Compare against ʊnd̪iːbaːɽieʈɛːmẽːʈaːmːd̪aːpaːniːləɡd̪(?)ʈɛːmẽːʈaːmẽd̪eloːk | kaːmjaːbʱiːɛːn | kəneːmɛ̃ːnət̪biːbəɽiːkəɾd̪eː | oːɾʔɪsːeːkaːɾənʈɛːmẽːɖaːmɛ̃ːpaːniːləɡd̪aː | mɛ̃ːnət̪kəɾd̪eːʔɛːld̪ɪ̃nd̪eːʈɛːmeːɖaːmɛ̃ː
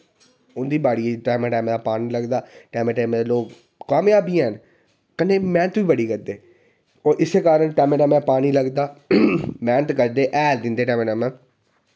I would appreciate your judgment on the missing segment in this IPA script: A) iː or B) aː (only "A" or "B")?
B